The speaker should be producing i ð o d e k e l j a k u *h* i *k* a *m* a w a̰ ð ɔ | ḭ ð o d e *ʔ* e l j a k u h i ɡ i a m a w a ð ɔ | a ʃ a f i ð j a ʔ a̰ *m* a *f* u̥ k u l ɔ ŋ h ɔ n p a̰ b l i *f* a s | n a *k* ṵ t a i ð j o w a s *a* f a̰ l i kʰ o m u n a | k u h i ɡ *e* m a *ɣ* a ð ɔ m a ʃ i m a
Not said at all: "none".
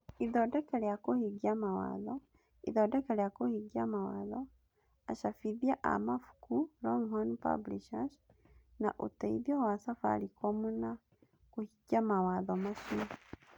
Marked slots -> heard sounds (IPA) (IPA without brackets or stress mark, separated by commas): h, ɡ, m, k, m, f, ʃ, ʔ, a, a, w